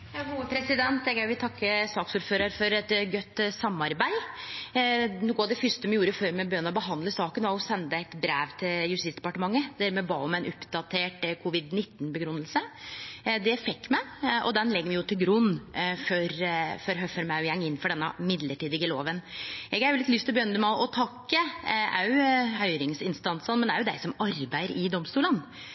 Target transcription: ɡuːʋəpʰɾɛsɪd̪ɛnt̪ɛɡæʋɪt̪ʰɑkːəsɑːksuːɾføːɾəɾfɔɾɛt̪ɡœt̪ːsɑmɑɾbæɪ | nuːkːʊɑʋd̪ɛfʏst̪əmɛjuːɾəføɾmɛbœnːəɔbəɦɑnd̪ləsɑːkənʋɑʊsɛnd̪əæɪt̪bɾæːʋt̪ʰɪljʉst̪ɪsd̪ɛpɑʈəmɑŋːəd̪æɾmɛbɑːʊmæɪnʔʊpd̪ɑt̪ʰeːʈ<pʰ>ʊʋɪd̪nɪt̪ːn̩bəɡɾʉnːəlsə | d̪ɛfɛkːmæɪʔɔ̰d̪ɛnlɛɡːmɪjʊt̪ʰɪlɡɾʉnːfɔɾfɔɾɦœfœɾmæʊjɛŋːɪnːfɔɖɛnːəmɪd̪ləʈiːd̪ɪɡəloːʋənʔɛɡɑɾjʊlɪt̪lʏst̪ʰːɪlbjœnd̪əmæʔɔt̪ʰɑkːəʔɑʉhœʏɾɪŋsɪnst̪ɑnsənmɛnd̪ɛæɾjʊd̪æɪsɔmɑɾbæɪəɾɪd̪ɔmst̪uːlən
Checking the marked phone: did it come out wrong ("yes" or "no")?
yes